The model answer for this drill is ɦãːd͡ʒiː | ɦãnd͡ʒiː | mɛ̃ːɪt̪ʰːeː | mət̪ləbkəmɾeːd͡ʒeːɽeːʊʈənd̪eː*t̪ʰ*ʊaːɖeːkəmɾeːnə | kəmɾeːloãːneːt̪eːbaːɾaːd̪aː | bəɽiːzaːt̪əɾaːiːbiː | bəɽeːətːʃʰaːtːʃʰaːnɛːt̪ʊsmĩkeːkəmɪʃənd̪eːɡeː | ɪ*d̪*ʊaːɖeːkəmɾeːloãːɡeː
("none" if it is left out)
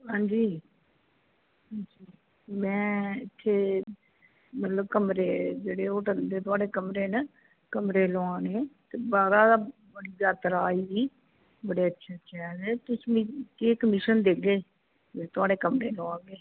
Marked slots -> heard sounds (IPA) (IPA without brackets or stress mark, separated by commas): t̪, t̪